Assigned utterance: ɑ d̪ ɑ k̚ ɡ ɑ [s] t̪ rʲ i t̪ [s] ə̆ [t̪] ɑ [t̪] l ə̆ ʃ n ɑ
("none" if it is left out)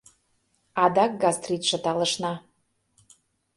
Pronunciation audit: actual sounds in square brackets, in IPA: s, ʃ, t̪, none

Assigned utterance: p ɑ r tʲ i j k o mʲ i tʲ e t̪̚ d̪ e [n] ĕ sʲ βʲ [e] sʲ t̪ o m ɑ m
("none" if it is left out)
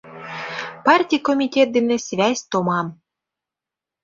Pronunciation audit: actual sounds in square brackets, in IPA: n, æ

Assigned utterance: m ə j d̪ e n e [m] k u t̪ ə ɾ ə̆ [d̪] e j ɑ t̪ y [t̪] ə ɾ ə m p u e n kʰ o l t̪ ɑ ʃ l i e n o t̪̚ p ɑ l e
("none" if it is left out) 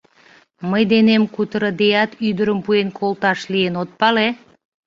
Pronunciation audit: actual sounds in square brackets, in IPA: m, d̪, d̪

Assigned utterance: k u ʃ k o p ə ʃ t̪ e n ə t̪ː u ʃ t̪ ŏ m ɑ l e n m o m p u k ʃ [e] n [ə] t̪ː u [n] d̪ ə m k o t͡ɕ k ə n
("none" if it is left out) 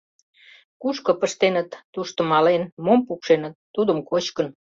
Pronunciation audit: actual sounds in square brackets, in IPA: e, ə, none

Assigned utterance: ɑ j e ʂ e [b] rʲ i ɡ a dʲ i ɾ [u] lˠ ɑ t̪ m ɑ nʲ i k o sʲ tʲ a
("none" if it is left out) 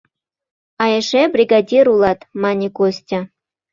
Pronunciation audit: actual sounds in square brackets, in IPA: b, u

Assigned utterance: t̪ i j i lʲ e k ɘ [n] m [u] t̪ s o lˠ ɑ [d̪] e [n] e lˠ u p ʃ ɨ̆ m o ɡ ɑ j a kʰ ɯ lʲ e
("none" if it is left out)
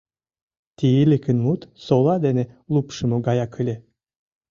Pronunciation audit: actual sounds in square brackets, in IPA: n, u, d̪, n

